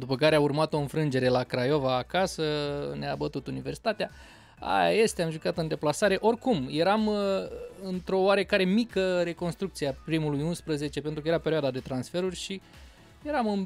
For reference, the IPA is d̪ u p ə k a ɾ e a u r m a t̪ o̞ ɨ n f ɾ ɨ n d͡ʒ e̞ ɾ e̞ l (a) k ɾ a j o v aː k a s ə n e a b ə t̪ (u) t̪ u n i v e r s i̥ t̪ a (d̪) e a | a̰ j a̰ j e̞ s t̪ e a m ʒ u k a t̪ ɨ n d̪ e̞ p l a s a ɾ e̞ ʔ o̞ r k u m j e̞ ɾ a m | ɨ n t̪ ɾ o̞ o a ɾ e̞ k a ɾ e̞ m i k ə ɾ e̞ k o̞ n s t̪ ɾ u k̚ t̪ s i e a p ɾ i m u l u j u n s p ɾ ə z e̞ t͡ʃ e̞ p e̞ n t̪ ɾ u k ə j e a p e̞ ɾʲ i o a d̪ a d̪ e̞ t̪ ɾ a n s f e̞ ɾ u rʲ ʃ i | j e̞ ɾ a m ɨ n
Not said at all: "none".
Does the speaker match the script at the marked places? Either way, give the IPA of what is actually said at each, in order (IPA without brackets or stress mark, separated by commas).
a, u, t̪